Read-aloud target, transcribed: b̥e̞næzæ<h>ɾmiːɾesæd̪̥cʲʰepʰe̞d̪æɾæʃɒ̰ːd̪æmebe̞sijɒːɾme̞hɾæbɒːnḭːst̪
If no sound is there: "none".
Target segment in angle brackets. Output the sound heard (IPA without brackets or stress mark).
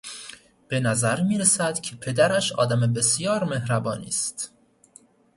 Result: none